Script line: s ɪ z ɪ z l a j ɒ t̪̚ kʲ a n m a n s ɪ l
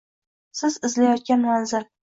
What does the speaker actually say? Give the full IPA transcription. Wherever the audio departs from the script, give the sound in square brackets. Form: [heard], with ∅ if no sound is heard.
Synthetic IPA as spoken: s ɪ z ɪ z l a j ɒ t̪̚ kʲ a n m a n [z] ɪ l